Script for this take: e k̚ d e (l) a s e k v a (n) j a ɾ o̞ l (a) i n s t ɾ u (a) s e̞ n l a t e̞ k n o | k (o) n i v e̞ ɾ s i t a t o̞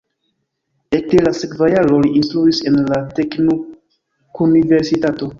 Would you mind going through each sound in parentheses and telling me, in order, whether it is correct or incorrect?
correct, incorrect, incorrect, incorrect, incorrect

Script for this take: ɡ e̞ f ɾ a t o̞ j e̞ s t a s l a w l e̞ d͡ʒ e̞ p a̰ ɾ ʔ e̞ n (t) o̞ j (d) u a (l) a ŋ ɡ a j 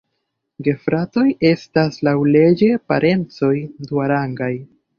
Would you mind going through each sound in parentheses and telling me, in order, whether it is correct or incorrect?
incorrect, correct, incorrect

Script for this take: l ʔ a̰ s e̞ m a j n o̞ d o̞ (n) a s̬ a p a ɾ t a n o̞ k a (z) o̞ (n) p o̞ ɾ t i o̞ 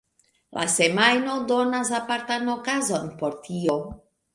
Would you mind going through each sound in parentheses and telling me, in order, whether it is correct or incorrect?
correct, correct, correct

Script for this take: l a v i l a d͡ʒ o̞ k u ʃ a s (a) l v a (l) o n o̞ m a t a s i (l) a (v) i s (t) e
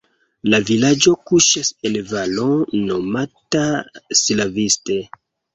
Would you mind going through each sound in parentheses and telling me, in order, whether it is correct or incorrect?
incorrect, correct, correct, correct, correct

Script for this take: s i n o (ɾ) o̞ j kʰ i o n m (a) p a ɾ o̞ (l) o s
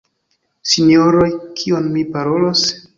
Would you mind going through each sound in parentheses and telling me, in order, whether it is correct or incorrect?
correct, incorrect, correct

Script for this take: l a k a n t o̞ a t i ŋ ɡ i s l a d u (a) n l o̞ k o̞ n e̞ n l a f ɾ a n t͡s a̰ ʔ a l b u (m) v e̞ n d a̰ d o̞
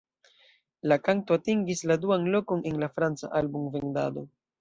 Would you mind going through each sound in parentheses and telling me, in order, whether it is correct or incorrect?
correct, correct

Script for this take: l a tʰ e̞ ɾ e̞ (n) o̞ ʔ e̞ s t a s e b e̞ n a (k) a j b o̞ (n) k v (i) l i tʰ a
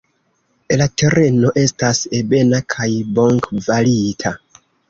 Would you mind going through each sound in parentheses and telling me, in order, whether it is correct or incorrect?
correct, incorrect, incorrect, incorrect

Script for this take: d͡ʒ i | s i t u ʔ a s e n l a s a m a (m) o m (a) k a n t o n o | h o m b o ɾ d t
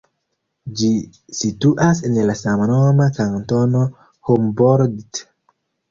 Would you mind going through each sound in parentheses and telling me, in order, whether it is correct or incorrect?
incorrect, correct

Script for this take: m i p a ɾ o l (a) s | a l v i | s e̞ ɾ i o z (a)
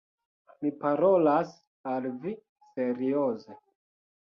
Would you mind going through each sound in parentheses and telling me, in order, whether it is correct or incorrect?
correct, incorrect

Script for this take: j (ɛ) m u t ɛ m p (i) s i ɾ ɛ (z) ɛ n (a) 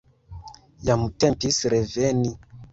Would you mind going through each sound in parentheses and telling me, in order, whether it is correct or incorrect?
incorrect, correct, incorrect, incorrect

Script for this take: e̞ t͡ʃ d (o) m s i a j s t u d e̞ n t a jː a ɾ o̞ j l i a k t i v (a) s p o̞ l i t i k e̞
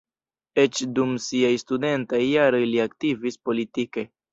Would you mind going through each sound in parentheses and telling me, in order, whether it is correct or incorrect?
incorrect, incorrect

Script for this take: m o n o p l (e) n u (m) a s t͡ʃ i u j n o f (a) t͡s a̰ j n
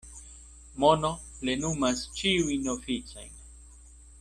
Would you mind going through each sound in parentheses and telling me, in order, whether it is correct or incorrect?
correct, correct, incorrect

